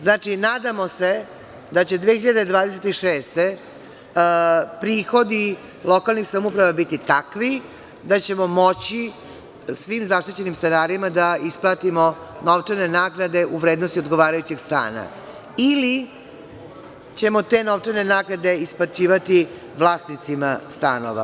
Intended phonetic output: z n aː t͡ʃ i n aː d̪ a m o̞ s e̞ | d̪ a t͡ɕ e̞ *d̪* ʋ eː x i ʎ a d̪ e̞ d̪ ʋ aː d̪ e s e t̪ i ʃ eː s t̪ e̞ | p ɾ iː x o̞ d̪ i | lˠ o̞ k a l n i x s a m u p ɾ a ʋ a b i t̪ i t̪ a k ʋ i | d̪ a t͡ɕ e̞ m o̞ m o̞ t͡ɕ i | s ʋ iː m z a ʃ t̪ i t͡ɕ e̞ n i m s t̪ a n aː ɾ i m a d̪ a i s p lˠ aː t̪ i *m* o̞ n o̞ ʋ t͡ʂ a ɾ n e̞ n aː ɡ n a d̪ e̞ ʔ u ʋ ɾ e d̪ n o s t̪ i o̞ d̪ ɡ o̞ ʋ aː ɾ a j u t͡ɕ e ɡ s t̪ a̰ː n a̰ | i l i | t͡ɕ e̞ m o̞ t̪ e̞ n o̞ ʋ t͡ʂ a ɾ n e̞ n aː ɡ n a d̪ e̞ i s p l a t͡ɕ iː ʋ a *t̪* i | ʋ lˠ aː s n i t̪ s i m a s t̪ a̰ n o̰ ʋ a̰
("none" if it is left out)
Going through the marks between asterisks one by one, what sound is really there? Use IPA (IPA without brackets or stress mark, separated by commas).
d̪, m, t̪